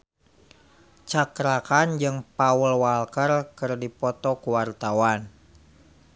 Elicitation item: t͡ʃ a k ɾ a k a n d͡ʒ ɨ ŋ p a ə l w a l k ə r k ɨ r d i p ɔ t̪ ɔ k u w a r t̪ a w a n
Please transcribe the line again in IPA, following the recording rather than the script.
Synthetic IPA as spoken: t͡ʃ a k ɾ a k a n d͡ʒ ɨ ŋ p a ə l w a l k ə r k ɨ r d i p ɔ t̪ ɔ k u w a r t̪ a w a n